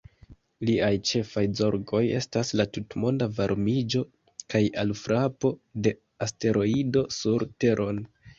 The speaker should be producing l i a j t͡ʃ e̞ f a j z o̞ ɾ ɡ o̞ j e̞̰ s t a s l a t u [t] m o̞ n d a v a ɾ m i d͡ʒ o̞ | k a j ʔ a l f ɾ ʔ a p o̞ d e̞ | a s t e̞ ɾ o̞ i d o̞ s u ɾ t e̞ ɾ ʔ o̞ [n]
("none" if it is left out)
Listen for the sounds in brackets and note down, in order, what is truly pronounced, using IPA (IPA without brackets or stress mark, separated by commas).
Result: t, n